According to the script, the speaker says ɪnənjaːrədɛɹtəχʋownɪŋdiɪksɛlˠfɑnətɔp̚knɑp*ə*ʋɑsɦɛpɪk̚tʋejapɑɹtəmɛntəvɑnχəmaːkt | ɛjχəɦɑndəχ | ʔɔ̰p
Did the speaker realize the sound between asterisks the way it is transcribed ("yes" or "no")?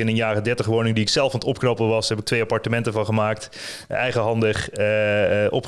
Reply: yes